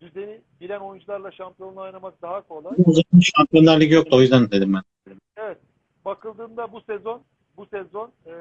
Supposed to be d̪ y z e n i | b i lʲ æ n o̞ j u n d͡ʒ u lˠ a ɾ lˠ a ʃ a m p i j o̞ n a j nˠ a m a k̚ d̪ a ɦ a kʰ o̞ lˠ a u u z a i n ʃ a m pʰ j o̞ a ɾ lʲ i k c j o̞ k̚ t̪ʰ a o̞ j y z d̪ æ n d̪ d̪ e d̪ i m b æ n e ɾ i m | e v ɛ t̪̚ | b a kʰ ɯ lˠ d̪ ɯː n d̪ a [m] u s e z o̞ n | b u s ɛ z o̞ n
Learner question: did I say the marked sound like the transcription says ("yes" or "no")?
no